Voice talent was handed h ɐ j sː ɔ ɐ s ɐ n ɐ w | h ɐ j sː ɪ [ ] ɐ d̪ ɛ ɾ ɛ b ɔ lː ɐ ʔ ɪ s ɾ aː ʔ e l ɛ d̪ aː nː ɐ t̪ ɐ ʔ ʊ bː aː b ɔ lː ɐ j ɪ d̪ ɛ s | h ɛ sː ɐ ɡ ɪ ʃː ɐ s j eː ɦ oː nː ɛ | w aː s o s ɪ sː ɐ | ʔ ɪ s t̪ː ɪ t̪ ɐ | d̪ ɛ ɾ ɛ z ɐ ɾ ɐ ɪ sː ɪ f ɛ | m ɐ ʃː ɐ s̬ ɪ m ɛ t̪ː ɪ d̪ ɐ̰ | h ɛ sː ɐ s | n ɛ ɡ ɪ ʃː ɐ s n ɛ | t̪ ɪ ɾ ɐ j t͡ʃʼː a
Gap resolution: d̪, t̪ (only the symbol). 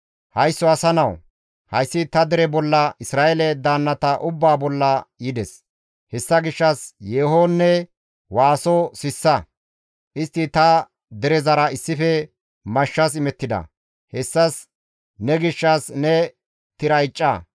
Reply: t̪